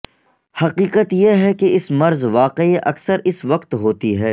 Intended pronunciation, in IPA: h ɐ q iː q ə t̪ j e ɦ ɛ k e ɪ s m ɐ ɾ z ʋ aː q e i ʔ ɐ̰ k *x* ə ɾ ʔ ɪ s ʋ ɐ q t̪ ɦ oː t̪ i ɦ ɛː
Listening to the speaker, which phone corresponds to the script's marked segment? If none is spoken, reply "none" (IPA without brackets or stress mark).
s